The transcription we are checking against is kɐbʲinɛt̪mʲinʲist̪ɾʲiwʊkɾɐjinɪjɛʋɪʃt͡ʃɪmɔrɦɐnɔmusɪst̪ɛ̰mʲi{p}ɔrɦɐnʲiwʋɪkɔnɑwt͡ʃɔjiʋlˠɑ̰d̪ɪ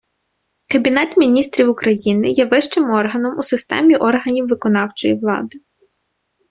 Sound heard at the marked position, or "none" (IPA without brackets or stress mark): ʔ